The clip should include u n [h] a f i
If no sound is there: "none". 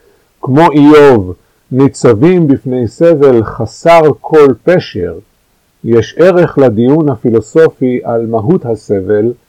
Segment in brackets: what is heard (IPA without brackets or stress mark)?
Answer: h